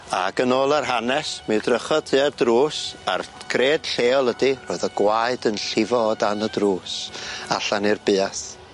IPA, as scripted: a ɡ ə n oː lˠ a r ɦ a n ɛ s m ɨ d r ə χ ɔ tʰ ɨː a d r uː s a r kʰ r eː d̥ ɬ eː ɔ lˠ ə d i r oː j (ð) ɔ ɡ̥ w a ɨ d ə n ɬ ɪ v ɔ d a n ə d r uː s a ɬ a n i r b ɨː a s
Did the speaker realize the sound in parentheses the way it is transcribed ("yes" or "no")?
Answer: yes